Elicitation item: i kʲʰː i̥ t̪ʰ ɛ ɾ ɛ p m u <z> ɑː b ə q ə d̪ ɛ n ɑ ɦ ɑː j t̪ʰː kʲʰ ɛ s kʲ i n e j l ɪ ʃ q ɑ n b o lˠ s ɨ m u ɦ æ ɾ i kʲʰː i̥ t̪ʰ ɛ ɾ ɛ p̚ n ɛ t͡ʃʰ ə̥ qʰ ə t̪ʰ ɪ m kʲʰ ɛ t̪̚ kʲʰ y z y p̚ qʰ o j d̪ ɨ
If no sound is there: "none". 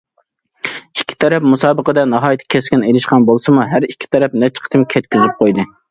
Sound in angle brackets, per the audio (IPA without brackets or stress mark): s